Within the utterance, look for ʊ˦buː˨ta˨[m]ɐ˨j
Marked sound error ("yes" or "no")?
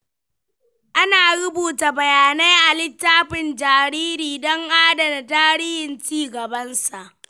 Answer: yes